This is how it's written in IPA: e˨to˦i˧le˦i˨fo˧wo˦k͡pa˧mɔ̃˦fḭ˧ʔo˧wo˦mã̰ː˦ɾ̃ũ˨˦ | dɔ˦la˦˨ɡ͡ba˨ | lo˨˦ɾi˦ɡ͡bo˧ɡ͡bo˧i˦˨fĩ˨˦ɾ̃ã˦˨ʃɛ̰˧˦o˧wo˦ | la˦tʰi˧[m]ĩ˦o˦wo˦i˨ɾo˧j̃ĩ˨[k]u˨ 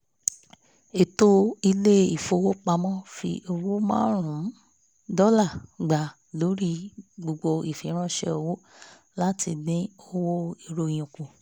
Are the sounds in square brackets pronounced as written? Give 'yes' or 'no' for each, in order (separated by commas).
no, yes